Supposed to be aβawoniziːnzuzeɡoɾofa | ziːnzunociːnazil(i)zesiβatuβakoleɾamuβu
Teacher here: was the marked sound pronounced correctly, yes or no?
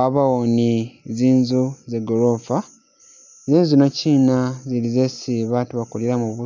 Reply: yes